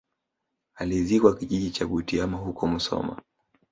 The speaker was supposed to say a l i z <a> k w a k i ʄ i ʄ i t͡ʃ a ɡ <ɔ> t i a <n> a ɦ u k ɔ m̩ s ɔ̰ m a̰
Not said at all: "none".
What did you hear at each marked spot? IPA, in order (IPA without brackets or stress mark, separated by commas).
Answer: i, u, m